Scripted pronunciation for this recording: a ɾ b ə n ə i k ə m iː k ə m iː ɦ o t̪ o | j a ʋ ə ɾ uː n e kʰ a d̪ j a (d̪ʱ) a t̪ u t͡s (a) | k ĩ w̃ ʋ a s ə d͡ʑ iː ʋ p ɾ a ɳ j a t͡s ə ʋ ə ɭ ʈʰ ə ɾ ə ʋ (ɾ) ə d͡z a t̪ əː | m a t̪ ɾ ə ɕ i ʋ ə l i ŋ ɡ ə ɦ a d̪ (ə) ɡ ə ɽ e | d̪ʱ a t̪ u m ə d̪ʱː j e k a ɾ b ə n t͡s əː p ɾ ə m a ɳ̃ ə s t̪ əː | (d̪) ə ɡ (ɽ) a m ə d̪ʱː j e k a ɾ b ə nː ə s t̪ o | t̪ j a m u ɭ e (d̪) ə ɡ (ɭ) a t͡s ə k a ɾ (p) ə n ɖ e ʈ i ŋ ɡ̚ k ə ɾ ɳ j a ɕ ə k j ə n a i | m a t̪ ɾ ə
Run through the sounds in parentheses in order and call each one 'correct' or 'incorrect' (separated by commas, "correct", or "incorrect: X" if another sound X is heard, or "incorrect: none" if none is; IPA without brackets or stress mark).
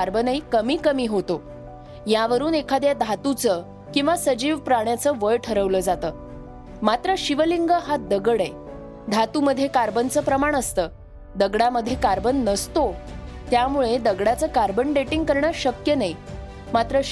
correct, incorrect: ə, incorrect: l, correct, correct, correct, correct, incorrect: ɽ, incorrect: b